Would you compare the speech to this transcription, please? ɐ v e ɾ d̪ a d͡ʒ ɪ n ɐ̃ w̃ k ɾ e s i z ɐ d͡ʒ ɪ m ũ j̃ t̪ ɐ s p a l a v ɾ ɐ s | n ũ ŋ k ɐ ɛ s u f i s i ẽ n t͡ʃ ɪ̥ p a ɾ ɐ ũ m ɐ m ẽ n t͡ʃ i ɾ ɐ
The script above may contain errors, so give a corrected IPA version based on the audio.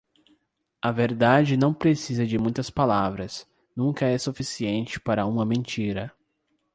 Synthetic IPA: ɐ v e ɾ d̪ a d͡ʒ ɪ n ɐ̃ w̃ p ɾ e s i z ɐ d͡ʒ ɪ m ũ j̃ t̪ ɐ s p a l a v ɾ ɐ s | n ũ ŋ k ɐ ɛ s u f i s i ẽ n t͡ʃ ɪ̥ p a ɾ ɐ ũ m ɐ m ẽ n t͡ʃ i ɾ ɐ